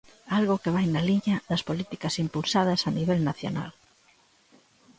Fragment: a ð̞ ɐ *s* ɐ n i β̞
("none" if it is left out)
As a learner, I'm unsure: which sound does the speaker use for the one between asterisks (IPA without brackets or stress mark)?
s